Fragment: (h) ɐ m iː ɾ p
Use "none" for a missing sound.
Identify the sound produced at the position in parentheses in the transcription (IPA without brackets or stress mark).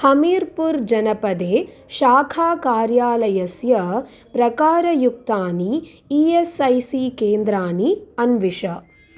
h